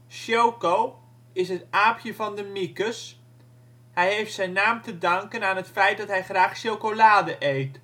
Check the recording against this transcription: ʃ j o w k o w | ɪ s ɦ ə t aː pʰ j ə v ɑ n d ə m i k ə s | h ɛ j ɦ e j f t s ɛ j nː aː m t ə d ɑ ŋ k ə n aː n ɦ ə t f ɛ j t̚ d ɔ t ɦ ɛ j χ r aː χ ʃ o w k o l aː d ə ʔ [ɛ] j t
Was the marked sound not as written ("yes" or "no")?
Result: yes